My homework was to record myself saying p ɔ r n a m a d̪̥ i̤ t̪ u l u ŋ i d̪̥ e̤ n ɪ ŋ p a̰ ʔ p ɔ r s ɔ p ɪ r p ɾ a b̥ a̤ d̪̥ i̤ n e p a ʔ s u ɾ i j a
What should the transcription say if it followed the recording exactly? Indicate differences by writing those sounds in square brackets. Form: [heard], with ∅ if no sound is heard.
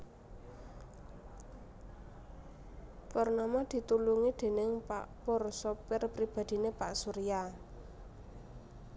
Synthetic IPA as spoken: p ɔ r n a m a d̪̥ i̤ t̪ u l u ŋ i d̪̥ e̤ n ɪ ŋ p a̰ ʔ p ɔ r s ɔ p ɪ r p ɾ [i] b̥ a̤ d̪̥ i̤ n e p a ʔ s u ɾ i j a